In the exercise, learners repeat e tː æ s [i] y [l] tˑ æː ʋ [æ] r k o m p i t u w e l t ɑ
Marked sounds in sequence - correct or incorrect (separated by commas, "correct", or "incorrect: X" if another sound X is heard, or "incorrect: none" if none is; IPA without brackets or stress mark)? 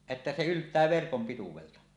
incorrect: e, correct, incorrect: e